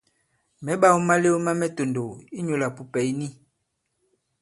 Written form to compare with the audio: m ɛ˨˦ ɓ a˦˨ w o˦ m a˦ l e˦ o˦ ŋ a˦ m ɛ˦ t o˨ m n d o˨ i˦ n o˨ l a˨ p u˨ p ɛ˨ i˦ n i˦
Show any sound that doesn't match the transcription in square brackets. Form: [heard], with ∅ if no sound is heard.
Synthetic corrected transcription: m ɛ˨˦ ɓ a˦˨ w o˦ m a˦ l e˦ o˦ [m] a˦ m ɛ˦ t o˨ [∅] n d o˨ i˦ [ɲ] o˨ l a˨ p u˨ p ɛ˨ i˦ n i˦